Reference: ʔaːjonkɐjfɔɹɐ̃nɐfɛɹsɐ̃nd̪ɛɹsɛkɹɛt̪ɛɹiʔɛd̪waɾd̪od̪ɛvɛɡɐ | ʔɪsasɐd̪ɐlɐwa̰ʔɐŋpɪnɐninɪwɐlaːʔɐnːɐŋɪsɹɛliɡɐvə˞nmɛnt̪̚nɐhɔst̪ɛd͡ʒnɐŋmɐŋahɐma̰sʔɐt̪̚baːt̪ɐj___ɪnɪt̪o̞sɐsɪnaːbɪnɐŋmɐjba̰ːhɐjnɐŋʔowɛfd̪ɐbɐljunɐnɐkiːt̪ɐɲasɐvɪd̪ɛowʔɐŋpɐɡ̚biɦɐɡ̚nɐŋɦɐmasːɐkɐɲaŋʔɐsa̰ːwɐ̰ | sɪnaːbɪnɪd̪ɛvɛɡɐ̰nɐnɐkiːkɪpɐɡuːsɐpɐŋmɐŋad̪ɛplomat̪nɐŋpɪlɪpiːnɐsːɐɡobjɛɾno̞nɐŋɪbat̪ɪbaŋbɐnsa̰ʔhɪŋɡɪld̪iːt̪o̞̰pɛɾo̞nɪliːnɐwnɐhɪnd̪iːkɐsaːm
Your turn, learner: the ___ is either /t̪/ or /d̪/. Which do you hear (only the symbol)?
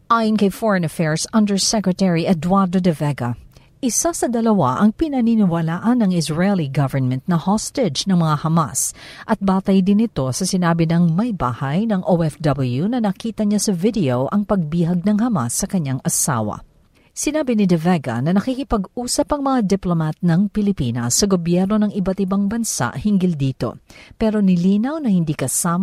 d̪